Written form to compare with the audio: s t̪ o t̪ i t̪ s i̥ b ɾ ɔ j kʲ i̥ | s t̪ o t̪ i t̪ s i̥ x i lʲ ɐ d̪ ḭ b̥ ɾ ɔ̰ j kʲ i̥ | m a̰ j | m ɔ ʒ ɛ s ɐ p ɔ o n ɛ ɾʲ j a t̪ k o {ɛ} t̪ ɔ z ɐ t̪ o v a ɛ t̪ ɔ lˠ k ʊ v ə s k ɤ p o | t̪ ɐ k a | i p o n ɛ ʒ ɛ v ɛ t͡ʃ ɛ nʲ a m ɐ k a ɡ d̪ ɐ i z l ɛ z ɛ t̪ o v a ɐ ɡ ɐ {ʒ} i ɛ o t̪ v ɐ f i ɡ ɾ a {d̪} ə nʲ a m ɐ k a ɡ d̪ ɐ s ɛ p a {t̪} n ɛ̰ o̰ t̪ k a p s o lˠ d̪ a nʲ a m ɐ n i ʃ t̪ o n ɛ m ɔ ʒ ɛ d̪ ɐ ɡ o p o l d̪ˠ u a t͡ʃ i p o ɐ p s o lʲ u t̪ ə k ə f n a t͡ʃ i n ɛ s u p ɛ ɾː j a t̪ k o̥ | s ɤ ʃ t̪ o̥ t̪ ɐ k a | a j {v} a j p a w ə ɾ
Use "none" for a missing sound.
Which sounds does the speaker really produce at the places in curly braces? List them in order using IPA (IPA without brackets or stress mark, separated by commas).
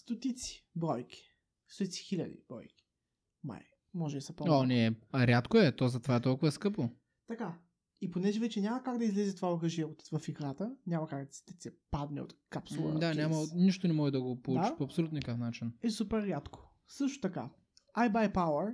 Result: ɛ, ʒ, t̪, d̪, b